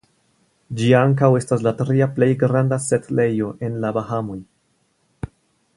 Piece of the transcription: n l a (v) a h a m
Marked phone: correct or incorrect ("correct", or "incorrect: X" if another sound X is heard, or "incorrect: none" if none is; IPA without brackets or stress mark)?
incorrect: b